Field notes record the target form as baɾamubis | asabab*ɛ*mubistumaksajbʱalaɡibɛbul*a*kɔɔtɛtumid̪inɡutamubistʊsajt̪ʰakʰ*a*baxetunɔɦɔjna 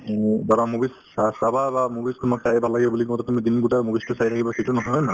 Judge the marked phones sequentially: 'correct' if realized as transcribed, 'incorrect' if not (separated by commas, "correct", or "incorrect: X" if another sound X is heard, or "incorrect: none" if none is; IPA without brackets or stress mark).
incorrect: a, incorrect: i, incorrect: i